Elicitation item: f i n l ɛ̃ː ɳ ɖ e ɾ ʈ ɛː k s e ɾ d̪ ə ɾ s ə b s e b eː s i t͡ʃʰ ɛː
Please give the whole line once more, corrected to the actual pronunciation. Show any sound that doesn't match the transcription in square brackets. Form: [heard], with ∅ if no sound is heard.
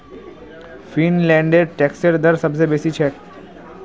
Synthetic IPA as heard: f i n l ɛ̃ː ɳ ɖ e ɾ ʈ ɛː k s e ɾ d̪ ə ɾ s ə b s e b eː s i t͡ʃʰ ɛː